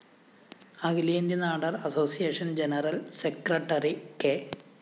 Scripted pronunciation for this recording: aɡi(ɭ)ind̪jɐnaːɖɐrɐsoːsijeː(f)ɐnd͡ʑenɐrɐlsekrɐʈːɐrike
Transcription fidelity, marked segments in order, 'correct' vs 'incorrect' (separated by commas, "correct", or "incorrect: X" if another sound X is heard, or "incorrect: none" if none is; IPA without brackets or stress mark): incorrect: l, incorrect: ʂ